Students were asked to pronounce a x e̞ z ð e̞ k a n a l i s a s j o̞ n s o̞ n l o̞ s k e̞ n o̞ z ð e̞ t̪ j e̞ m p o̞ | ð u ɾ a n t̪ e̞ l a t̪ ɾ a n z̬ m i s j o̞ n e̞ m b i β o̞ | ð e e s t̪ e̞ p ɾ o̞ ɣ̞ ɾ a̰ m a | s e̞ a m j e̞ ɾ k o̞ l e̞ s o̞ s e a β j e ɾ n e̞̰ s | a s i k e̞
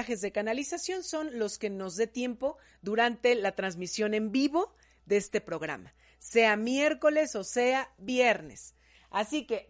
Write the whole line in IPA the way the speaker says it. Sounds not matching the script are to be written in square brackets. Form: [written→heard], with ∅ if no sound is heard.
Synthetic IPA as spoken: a x e̞ z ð e̞ k a n a l i s a s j o̞ n s o̞ n l o̞ s k e̞ n o̞ z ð e̞ t̪ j e̞ m p o̞ | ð u ɾ a n t̪ e̞ l a t̪ ɾ a n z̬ m i s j o̞ n e̞ m b i β o̞ | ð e e s t̪ e̞ p ɾ o̞ ɣ̞ ɾ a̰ m a | s e̞ a m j e̞ ɾ k o̞ l e̞ s o̞ s e a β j e ɾ n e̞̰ s | a s i k e̞